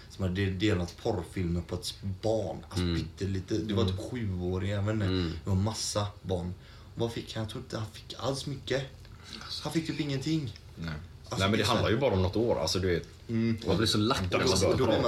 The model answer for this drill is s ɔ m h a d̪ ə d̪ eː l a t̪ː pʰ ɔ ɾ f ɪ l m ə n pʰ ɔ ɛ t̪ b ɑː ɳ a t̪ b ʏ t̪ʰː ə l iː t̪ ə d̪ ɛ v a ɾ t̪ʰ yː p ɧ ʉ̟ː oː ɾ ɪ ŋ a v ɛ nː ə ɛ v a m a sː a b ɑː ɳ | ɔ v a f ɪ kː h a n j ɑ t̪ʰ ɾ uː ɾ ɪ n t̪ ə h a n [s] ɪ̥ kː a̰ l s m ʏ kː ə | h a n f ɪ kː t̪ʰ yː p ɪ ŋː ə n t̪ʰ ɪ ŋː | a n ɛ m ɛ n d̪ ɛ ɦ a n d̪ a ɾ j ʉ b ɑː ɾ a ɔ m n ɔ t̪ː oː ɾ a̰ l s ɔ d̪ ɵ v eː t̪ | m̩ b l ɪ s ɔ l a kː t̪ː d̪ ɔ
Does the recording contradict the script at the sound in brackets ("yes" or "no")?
yes